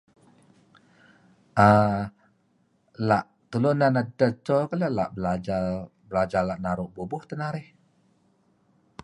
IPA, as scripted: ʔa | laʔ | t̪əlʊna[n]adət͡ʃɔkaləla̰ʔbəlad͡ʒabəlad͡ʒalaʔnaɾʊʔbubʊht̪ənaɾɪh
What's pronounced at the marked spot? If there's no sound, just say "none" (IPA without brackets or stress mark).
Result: n